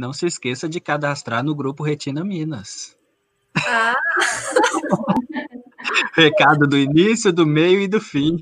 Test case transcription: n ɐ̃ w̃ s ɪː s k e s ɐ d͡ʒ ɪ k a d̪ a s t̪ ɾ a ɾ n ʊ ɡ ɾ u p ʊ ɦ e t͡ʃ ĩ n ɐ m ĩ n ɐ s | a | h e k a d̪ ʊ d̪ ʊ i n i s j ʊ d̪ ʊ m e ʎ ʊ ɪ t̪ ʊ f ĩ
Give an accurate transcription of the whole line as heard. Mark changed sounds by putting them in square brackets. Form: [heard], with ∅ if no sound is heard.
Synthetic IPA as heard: n ɐ̃ w̃ s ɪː s k e s ɐ d͡ʒ ɪ k a d̪ a s t̪ ɾ a ɾ n ʊ ɡ ɾ u p ʊ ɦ e t͡ʃ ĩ n ɐ m ĩ n ɐ s | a | h e k a d̪ ʊ d̪ ʊ i n i s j ʊ d̪ ʊ m e [j] ʊ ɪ [d̪] ʊ f ĩ